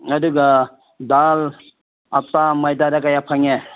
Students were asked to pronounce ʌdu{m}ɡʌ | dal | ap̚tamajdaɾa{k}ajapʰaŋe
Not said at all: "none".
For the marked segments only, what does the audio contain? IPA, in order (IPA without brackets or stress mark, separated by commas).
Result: none, k